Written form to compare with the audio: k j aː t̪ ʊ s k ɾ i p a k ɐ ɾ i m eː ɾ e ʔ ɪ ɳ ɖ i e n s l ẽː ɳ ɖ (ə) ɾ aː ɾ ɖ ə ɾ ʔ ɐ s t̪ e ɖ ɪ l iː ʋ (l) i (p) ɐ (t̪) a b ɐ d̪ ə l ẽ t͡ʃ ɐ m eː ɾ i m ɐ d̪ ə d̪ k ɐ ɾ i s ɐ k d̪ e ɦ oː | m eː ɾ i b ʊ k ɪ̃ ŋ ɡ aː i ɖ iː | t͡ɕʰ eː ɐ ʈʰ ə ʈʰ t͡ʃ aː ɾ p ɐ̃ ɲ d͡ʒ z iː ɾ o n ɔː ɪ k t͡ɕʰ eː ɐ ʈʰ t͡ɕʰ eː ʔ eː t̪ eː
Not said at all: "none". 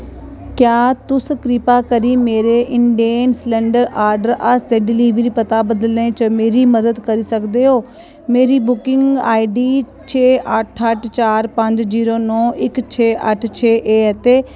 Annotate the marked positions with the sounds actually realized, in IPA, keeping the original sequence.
ə, ɾ, p, t̪

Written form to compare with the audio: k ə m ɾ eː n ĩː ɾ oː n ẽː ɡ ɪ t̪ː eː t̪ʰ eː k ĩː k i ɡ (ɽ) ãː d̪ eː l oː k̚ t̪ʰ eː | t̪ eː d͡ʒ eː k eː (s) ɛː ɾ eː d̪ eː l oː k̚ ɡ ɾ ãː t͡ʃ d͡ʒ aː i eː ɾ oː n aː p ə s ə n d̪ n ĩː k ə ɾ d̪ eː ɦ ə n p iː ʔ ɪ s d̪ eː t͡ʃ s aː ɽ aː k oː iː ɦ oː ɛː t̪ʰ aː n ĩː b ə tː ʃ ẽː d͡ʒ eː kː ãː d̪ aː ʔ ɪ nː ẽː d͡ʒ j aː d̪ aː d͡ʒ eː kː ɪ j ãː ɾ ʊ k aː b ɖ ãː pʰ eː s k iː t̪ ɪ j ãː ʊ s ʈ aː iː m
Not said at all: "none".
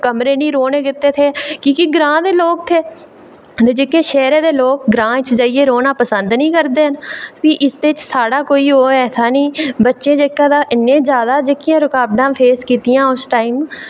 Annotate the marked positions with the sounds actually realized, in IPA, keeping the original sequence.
ɾ, ʃ

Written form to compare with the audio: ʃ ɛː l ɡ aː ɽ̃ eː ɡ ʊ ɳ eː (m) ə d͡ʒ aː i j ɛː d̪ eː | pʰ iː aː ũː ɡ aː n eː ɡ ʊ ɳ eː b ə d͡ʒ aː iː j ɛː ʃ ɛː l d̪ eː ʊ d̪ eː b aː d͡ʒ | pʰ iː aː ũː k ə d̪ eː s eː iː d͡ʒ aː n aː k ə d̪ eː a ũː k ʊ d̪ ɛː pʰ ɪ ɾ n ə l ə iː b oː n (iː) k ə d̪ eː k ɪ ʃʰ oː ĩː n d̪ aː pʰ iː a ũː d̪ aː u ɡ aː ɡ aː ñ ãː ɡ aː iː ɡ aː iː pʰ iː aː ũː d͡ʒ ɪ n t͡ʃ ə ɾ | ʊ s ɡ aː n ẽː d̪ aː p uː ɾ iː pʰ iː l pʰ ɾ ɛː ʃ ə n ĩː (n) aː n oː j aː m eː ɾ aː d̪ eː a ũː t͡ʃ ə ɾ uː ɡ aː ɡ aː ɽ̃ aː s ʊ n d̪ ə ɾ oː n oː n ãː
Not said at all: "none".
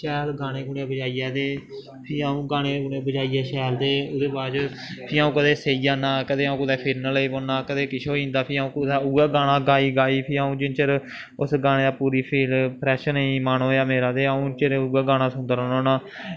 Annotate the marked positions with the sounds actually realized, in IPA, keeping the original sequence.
b, aː, m

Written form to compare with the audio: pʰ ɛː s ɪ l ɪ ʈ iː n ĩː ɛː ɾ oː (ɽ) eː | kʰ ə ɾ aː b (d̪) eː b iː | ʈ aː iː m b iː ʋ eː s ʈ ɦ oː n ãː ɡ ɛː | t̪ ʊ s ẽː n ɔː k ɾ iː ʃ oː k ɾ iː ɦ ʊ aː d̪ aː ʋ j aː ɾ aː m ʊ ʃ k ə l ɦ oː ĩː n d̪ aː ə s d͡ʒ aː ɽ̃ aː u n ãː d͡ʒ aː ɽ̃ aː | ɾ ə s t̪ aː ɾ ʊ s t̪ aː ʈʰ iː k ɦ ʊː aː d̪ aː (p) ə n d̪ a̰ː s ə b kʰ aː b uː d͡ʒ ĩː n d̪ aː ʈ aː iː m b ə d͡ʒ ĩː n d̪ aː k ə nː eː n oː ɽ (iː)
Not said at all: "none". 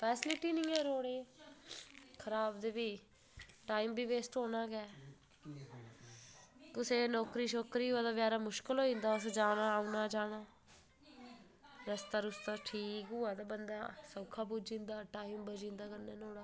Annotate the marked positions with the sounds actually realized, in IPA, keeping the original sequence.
ɽ, d̪, b, aː

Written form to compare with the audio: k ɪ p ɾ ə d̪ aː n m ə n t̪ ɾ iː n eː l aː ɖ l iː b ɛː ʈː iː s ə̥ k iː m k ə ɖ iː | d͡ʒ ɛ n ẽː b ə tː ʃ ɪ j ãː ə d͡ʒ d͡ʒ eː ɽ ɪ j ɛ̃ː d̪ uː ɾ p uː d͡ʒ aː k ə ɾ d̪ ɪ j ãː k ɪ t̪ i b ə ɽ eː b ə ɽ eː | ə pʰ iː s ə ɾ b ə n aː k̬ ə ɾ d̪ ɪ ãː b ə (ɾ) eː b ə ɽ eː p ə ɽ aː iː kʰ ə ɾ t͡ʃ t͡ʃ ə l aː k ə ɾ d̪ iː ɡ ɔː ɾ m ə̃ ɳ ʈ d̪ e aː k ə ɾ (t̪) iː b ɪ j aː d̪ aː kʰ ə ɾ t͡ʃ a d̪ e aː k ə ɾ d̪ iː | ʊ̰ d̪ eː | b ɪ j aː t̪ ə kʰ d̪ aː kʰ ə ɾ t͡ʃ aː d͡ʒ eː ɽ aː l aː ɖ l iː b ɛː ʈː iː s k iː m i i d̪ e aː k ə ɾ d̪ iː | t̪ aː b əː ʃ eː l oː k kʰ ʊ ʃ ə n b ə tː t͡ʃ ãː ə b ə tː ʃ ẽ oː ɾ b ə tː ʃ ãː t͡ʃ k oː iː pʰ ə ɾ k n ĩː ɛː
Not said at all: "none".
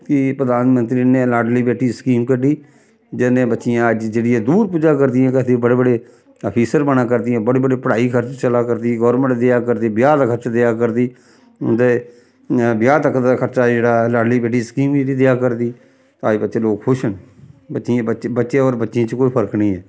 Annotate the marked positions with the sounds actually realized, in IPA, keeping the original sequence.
ɽ, d̪

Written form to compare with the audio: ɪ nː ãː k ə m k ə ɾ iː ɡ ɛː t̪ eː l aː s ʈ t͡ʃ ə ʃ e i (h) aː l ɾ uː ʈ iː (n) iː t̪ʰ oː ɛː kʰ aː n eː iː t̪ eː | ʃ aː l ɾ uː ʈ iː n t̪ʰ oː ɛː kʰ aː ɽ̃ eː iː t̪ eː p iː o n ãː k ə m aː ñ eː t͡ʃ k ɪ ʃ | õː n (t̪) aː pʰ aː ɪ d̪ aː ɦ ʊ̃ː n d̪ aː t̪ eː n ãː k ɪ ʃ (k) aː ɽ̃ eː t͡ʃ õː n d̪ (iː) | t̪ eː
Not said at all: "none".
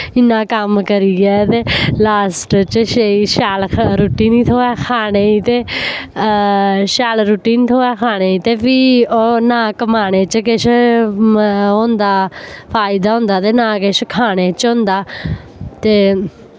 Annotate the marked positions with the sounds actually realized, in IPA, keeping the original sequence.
ʃ, n, d̪, kʰ, aː

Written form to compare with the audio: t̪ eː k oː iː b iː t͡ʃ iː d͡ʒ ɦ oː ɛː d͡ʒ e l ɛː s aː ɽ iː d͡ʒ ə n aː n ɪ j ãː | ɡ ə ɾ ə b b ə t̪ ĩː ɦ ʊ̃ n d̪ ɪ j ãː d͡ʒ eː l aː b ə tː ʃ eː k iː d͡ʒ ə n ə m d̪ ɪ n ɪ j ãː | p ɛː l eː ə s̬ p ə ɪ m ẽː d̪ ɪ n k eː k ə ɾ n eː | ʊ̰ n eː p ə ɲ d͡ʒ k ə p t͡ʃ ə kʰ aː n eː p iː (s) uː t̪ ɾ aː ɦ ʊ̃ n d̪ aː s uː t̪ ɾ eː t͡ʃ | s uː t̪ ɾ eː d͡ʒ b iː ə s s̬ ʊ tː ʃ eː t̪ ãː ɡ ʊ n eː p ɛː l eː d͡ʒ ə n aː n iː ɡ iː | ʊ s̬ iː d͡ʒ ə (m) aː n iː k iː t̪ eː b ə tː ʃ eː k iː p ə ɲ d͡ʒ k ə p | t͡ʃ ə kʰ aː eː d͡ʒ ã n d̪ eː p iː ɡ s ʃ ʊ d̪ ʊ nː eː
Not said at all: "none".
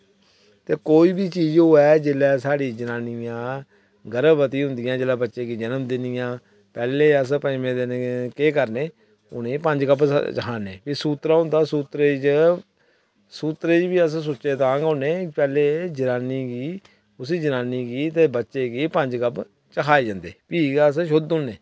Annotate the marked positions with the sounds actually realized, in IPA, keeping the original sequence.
s, n

